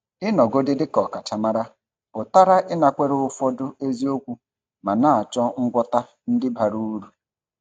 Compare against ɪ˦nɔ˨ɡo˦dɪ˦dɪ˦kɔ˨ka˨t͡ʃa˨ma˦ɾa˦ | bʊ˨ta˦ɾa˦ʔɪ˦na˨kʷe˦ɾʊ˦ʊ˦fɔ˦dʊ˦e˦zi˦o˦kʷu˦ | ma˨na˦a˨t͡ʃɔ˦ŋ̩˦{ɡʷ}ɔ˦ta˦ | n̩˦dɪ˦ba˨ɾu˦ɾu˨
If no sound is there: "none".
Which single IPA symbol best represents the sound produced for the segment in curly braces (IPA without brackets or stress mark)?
ɡʷ